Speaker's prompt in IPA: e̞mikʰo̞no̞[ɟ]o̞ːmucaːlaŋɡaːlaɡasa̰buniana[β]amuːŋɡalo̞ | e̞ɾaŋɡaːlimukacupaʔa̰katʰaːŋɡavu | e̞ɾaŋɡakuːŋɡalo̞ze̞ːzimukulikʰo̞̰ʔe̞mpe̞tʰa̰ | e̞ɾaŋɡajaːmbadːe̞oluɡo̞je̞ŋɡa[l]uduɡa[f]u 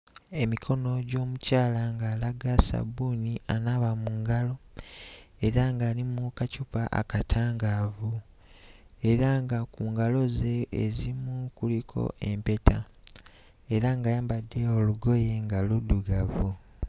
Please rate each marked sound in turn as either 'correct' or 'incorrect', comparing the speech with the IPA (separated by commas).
correct, correct, correct, incorrect